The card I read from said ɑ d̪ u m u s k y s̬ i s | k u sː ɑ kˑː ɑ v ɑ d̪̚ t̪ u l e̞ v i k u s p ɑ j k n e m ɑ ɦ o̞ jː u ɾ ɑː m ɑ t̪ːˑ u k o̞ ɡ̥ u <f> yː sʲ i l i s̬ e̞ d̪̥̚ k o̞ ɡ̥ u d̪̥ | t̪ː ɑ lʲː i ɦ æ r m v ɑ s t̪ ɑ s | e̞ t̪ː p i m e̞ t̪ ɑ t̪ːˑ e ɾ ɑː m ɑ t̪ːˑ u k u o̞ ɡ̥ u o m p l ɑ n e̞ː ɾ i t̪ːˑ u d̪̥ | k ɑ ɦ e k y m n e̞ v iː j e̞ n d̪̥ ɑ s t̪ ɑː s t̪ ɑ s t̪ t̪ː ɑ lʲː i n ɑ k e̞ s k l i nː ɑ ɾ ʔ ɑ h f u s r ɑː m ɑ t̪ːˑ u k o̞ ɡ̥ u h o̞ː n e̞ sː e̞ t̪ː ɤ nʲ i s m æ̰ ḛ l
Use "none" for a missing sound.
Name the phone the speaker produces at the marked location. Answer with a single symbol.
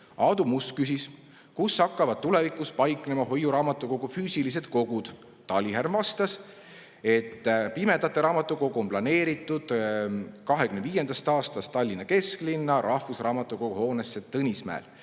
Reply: f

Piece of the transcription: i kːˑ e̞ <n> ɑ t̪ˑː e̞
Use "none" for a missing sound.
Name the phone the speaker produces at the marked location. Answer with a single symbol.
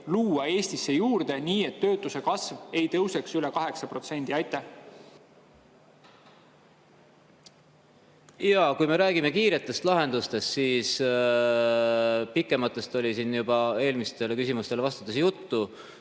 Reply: m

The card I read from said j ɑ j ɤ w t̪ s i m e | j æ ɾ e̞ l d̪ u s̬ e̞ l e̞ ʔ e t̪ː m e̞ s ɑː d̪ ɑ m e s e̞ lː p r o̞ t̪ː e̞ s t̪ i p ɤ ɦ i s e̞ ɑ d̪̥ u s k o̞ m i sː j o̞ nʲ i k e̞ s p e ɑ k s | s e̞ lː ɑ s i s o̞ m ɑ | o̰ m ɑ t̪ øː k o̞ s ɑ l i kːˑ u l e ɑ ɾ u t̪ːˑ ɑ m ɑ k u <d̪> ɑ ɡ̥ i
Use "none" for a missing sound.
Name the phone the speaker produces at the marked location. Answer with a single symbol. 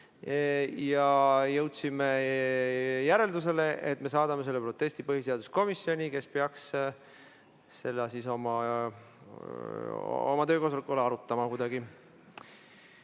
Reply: d̪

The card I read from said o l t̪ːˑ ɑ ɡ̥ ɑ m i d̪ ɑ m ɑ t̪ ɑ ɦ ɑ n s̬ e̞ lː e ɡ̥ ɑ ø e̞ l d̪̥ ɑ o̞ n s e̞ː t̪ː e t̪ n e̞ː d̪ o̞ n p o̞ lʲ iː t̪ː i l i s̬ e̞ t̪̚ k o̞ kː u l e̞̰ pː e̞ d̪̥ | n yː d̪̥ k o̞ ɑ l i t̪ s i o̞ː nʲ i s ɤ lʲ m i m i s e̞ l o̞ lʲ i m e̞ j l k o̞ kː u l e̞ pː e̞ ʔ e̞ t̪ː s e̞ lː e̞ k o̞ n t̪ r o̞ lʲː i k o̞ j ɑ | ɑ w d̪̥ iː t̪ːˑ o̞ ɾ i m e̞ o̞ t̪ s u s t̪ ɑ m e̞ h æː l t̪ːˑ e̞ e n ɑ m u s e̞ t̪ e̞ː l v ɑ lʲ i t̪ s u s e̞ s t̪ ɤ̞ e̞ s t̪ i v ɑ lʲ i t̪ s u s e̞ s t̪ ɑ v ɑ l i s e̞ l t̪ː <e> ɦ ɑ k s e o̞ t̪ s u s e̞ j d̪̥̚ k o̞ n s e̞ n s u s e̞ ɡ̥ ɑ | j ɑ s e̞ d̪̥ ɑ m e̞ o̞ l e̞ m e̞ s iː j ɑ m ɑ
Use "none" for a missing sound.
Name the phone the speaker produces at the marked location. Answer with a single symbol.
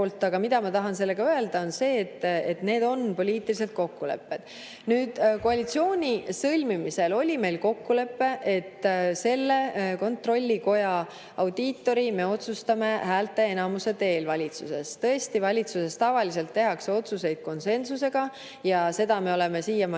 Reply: e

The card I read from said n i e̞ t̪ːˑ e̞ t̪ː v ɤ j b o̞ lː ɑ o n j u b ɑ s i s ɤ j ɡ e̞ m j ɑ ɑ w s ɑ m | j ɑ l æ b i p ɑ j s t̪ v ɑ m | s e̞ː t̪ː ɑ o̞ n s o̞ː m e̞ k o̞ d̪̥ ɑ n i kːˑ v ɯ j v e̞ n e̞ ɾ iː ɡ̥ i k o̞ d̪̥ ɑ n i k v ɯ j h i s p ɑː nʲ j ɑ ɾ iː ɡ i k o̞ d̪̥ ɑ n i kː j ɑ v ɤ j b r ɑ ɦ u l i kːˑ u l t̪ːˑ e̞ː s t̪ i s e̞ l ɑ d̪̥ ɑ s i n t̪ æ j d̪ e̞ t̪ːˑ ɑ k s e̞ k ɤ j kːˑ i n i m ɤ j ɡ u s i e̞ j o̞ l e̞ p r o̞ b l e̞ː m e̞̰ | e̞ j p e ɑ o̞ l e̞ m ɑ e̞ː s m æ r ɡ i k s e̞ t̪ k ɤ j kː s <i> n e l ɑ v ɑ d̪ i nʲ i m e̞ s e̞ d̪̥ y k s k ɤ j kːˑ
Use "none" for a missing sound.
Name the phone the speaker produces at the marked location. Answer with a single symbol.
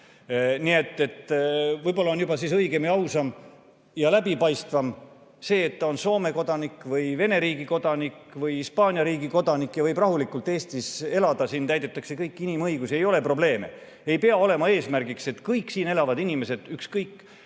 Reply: iː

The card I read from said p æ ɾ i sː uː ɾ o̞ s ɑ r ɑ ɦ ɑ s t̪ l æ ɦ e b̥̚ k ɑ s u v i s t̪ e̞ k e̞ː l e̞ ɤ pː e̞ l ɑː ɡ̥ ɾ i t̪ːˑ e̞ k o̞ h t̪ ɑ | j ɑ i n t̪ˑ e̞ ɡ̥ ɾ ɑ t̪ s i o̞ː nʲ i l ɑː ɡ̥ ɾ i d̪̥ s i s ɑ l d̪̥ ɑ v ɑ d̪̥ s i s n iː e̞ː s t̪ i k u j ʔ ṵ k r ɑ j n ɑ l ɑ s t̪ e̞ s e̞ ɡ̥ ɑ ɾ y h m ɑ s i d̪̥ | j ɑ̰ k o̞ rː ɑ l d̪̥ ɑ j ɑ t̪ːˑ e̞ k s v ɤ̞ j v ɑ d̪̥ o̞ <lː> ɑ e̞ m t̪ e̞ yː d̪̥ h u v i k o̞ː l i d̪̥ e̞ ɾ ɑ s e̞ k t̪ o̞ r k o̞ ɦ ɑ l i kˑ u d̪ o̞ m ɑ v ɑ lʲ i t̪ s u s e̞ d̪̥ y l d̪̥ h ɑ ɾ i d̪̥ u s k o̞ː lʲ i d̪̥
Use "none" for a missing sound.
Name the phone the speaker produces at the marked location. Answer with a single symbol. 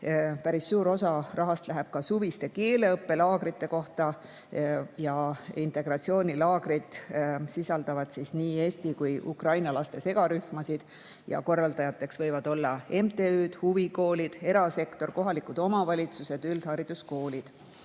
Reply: lː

